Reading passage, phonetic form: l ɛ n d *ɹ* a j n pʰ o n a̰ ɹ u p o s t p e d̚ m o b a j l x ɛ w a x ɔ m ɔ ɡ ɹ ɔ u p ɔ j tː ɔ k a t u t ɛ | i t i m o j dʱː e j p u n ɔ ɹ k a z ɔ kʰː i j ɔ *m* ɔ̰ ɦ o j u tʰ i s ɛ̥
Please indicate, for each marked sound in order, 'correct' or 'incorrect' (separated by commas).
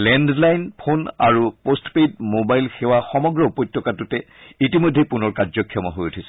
incorrect, correct